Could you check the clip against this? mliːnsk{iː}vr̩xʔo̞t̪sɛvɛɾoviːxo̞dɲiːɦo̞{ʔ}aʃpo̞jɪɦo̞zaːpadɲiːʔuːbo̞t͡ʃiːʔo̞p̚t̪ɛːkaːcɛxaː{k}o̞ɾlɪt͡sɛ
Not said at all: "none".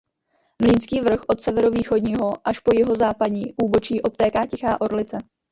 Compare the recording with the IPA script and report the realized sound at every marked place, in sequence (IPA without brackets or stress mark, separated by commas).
iː, ʔ, ʔ